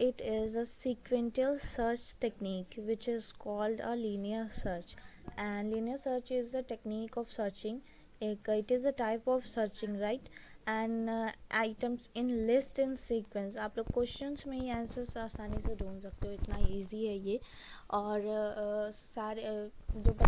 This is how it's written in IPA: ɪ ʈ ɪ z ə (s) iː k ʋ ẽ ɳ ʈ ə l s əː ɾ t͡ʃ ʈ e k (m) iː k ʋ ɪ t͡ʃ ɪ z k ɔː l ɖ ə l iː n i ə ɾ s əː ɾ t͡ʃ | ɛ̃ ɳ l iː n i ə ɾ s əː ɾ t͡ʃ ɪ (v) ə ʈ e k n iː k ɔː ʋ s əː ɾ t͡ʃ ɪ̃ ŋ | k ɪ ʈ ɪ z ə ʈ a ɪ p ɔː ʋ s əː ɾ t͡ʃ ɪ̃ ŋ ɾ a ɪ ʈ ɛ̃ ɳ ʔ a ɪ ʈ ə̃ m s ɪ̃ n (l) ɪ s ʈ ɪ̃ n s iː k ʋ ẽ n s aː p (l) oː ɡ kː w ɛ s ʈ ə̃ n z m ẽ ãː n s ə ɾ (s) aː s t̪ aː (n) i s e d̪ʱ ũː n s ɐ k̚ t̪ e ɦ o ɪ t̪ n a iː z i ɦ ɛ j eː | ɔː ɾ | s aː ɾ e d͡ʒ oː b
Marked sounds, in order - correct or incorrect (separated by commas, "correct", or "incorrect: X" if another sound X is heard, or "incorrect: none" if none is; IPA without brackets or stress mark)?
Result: correct, incorrect: n, incorrect: z, correct, correct, correct, correct